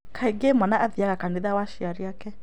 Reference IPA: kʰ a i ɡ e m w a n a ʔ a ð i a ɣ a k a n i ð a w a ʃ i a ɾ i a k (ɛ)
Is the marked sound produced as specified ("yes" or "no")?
yes